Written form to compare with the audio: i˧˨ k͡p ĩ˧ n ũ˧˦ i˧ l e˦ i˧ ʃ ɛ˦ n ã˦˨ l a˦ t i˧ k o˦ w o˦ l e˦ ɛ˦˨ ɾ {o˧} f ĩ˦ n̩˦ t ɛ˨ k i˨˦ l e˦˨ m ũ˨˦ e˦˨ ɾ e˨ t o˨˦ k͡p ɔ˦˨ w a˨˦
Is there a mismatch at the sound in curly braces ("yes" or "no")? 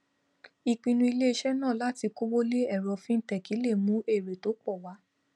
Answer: yes